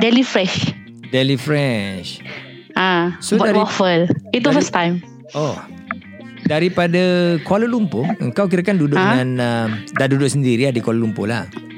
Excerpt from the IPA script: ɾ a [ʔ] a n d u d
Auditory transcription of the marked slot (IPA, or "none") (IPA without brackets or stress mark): k